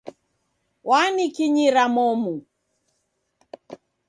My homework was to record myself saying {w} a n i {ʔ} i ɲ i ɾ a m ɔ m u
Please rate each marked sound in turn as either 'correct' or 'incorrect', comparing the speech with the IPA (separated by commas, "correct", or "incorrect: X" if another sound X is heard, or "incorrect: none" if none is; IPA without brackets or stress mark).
correct, incorrect: k